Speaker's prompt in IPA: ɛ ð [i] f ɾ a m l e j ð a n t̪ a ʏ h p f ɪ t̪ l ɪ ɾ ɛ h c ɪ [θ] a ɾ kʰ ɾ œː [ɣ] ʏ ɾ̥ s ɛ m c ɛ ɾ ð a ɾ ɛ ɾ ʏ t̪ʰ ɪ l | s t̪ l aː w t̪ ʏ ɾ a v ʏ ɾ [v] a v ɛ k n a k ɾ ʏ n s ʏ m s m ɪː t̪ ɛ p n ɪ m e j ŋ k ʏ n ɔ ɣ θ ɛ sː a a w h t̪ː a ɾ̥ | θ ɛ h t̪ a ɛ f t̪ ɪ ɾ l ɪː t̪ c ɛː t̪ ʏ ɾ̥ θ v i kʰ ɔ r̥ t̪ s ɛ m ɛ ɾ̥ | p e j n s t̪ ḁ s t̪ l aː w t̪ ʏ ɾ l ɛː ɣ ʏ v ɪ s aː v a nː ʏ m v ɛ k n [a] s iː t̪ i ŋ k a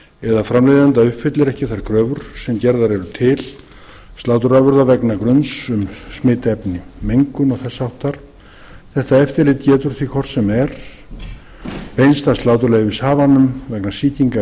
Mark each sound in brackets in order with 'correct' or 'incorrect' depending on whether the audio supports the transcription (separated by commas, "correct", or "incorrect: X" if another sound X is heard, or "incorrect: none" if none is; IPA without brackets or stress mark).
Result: incorrect: a, correct, incorrect: v, incorrect: ð, correct